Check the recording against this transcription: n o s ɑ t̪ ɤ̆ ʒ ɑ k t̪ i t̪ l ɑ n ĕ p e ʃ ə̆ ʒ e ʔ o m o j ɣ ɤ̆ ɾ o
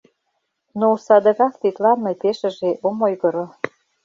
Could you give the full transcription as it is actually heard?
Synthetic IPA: n o s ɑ d̪ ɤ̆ ɣ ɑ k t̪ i t̪ l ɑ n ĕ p e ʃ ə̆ ʒ e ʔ o m o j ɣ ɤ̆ ɾ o